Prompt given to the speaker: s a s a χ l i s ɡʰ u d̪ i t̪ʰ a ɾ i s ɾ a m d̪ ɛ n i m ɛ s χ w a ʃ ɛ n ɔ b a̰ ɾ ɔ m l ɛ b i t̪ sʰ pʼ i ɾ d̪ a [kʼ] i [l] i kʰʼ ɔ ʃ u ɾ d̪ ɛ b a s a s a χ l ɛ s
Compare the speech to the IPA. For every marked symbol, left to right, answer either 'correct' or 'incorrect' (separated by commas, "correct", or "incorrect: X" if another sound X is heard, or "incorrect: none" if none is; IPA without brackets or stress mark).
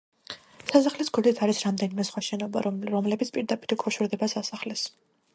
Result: incorrect: pʼ, incorrect: ɾ